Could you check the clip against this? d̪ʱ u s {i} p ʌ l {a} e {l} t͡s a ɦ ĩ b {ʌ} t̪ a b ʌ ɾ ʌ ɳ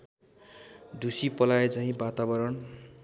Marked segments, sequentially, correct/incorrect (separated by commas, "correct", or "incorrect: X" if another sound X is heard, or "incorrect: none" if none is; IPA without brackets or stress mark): correct, correct, incorrect: none, incorrect: a